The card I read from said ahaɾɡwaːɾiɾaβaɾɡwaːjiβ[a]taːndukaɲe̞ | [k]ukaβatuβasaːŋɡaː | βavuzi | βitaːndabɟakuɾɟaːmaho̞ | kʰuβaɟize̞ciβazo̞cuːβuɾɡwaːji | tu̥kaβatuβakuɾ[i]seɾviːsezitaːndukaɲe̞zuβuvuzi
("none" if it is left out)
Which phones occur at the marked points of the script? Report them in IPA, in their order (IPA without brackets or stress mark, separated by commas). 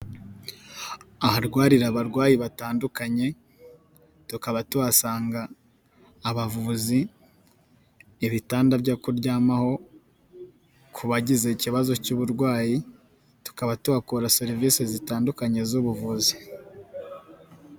a, t, a